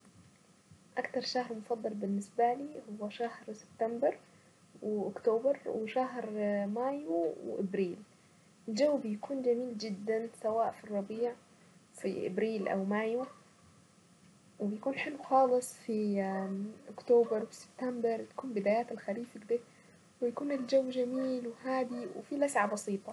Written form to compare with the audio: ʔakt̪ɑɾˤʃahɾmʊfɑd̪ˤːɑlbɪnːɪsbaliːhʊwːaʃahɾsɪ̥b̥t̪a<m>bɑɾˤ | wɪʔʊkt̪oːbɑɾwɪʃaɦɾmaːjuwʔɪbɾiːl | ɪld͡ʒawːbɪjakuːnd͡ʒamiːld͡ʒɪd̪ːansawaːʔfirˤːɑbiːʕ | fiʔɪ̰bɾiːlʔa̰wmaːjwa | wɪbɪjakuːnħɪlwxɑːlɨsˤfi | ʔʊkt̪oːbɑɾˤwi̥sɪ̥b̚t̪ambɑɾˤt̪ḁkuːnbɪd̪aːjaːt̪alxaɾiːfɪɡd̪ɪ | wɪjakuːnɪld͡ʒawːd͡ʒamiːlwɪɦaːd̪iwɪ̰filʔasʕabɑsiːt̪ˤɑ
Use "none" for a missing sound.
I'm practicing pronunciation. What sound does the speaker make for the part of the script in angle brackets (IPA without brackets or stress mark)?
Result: m